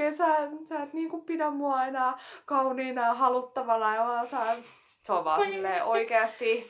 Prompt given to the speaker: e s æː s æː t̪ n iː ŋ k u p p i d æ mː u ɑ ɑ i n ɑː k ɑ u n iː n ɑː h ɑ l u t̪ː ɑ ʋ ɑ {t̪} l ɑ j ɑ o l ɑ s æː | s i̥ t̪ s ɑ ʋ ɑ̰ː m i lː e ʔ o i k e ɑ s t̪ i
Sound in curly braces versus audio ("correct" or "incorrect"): incorrect